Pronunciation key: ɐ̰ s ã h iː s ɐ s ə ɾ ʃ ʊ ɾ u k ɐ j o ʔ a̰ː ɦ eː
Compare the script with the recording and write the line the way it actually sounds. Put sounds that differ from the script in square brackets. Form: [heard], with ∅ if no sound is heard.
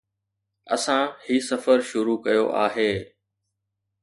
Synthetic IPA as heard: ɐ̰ s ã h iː s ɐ [f] ə ɾ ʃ ʊ ɾ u k ɐ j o ʔ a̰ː ɦ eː

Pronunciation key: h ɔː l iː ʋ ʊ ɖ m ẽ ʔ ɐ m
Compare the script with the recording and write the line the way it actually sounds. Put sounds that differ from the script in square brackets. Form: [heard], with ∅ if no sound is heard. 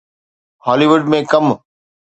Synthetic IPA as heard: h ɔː l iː ʋ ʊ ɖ m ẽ [k] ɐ m

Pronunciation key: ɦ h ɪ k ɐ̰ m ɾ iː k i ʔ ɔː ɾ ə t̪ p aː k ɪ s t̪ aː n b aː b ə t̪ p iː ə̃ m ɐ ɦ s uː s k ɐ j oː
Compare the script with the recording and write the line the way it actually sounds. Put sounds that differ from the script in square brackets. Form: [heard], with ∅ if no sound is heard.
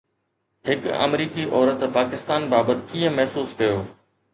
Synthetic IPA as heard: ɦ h ɪ k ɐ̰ m ɾ iː k i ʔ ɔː ɾ ə t̪ p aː k ɪ s t̪ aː n b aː b ə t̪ [k] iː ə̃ m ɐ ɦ s uː s k ɐ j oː

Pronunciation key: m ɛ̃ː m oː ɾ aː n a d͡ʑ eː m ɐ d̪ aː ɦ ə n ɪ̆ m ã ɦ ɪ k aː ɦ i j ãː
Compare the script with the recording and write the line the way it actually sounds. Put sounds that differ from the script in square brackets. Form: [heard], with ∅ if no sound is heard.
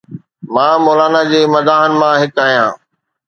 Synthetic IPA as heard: m [ãː] m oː [l] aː n a d͡ʑ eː m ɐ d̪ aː ɦ ə n ɪ̆ m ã ɦ ɪ k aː ɦ i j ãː

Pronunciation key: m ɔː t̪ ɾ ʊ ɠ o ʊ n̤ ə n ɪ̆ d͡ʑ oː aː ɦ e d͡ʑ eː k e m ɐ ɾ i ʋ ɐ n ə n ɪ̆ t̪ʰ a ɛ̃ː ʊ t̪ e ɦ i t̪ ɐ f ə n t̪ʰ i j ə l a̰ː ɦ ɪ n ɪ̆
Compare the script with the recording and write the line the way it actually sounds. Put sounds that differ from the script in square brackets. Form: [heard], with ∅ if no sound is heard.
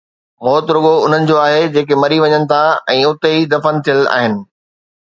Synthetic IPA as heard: m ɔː t̪ ɾ ʊ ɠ o ʊ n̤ ə n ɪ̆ d͡ʑ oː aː ɦ e d͡ʑ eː k e m ɐ ɾ i ʋ ɐ [ɲ] ə n ɪ̆ t̪ʰ a ɛ̃ː ʊ t̪ e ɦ i [d̪] ɐ f ə n t̪ʰ i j ə l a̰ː ɦ ɪ n ɪ̆

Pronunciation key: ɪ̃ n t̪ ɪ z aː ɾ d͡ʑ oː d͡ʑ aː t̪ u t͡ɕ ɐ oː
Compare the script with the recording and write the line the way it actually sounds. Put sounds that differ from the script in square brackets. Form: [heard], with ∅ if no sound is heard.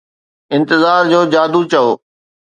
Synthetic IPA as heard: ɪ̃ n t̪ ɪ z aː ɾ d͡ʑ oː d͡ʑ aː [d̪] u t͡ɕ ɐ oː

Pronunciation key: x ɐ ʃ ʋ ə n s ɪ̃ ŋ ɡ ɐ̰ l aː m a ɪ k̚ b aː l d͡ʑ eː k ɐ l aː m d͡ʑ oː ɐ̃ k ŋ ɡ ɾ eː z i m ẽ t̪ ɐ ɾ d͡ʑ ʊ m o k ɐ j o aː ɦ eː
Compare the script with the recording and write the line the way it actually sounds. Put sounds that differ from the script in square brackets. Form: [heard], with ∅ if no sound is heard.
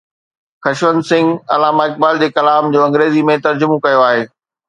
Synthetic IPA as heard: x ɐ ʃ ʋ ə n s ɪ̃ ŋ ɡ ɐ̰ l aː m a ɪ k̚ b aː l d͡ʑ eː k ɐ l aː m d͡ʑ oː ɐ̃ [∅] ŋ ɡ ɾ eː z i m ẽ t̪ ɐ ɾ d͡ʑ ʊ m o k ɐ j o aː ɦ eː

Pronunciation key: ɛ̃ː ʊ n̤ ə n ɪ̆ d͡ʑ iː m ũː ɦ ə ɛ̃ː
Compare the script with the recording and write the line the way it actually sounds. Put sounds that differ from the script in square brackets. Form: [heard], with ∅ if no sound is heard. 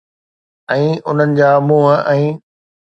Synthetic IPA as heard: ɛ̃ː ʊ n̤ ə n ɪ̆ d͡ʑ [aː] m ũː ɦ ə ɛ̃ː

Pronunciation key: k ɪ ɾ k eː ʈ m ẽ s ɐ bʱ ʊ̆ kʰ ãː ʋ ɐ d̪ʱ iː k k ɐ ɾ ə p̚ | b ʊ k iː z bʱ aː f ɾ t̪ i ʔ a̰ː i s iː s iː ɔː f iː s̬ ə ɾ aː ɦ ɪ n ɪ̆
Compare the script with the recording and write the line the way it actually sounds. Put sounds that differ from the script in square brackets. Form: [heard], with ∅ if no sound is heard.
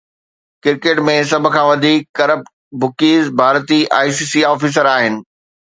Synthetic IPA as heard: k ɪ ɾ k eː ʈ m ẽ s ɐ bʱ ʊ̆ kʰ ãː ʋ ɐ d̪ʱ iː k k ɐ ɾ ə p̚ | b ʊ k iː z bʱ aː [∅] ɾ t̪ i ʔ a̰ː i s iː s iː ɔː f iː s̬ ə ɾ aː ɦ ɪ n ɪ̆

